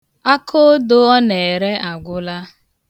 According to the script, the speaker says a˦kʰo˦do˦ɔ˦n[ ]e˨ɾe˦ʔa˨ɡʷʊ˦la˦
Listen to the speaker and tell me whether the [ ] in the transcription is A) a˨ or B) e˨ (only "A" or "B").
B